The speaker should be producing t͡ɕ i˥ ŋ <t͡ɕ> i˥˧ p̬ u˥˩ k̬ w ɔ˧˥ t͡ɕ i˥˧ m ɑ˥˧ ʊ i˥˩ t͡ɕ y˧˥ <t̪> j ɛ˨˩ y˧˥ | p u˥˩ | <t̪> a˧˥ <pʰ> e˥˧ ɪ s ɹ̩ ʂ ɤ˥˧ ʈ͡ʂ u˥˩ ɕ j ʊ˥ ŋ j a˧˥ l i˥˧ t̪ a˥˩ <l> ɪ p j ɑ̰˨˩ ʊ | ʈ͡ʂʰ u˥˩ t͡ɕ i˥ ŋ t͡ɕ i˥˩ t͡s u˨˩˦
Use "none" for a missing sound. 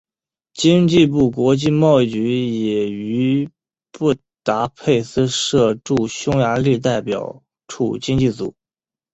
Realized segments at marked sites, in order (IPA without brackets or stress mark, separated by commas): t͡ɕ, none, t̪, pʰ, none